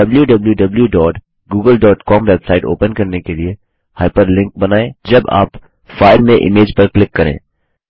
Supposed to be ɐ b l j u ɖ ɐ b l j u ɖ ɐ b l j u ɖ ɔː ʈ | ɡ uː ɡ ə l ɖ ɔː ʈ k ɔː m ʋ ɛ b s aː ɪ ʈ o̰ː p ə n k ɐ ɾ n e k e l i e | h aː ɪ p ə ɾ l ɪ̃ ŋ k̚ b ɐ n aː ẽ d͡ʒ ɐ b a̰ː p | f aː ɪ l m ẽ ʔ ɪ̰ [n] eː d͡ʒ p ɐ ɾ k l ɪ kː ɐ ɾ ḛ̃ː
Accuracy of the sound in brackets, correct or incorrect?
incorrect